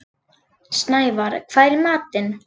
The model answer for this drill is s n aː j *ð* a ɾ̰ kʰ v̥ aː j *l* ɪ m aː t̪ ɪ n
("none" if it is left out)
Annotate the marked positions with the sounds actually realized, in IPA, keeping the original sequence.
v, ɾ

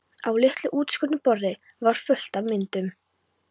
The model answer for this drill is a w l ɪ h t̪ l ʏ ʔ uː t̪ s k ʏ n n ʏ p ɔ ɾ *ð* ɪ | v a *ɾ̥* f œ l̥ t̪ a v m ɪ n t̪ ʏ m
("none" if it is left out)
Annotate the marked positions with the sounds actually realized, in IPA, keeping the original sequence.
ð, ɾ̥

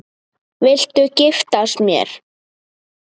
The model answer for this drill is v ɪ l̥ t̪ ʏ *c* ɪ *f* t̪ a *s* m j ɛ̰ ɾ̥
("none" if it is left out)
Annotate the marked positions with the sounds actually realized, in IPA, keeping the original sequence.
c, f, s

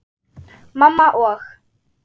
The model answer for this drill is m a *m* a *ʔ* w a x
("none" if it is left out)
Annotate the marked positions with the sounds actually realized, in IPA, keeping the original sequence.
m, ʔ

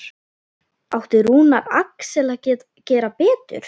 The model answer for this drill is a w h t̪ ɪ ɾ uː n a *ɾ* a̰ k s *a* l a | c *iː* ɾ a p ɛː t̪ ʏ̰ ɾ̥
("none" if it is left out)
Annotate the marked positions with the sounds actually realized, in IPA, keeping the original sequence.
ɾ, ɛ, ɛː

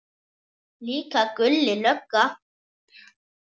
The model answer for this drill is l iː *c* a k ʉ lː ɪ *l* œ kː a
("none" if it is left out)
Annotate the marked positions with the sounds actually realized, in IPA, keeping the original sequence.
k, l

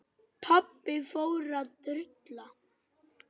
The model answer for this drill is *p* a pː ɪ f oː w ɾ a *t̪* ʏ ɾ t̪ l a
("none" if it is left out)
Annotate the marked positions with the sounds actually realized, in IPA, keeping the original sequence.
pʰ, t̪

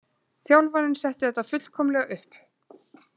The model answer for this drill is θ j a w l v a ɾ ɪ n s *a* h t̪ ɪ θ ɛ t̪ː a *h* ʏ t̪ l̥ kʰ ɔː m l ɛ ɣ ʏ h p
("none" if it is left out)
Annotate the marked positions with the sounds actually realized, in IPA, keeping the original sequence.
ɛ, f

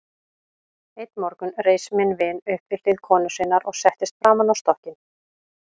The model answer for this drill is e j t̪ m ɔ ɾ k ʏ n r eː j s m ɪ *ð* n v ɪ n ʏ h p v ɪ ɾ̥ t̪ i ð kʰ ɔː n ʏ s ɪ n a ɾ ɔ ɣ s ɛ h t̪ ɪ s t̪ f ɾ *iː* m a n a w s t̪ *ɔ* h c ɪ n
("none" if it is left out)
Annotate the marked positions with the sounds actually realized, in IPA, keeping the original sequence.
none, aː, ɔ

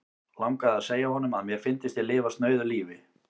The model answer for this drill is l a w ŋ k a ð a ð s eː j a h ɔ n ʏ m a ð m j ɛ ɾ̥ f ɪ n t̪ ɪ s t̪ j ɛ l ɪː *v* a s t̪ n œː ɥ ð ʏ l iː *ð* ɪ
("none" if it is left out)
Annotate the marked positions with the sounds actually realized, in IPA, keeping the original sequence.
v, v

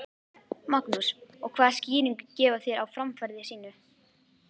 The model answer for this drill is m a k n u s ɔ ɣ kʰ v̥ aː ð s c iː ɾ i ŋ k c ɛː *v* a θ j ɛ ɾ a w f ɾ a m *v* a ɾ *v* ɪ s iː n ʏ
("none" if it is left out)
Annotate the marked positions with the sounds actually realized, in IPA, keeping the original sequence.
v, f, ð

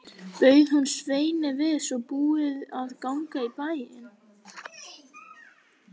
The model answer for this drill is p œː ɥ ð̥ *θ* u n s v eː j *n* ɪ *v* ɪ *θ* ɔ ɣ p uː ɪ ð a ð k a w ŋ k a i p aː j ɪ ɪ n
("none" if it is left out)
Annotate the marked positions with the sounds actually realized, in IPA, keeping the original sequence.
h, n, v, s

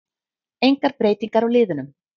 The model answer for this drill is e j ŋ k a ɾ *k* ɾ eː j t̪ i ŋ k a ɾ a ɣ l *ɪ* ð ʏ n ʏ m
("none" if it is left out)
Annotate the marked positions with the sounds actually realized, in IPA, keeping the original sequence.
p, ɪː

